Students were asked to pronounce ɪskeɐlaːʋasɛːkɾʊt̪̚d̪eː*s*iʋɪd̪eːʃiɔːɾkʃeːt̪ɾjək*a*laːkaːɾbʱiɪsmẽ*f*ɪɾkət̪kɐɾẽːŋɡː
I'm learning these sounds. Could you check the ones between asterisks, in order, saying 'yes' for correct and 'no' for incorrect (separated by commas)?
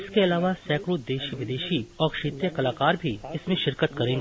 no, no, no